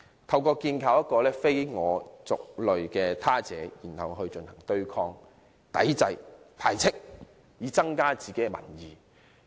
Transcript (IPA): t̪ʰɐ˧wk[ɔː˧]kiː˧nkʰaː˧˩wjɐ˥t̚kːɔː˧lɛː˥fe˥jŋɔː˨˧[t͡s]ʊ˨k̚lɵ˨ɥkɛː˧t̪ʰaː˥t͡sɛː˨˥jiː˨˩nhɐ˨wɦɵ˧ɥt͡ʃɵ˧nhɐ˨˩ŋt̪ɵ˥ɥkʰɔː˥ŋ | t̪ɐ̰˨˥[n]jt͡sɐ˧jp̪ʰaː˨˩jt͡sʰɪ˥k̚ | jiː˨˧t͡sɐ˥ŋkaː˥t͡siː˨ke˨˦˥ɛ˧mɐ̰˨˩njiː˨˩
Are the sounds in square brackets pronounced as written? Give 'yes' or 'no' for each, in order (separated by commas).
yes, yes, no